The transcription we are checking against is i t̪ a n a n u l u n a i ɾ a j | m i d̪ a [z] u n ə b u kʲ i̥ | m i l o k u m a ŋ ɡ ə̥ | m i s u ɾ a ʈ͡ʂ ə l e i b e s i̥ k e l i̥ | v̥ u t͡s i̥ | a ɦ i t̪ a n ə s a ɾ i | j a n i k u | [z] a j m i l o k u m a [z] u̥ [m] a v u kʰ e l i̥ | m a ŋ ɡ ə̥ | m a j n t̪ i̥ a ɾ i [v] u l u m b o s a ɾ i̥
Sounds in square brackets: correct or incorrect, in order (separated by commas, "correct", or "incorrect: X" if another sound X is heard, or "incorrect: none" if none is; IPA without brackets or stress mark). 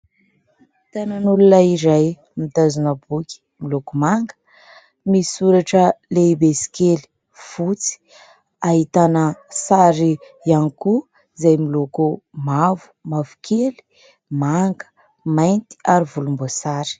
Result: correct, correct, incorrect: v, correct, correct